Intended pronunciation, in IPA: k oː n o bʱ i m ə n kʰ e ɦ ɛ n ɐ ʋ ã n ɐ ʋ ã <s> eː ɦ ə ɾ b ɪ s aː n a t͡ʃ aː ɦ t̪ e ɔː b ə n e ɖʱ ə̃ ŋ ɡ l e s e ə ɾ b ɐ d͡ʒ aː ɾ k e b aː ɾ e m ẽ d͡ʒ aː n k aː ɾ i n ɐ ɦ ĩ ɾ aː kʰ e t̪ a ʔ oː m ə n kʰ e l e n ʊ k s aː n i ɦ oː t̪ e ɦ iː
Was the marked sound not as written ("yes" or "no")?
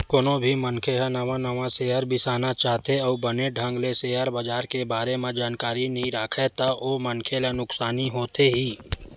no